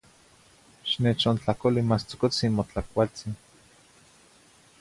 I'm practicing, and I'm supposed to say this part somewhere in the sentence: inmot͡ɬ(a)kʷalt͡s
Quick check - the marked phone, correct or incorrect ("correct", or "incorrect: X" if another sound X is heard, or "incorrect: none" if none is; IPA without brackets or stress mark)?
correct